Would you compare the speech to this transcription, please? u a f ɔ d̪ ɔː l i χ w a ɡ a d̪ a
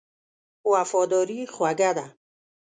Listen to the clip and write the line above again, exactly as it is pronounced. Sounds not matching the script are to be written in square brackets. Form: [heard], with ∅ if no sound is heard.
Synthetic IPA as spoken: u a f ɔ d̪ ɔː [ɾ] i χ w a ɡ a d̪ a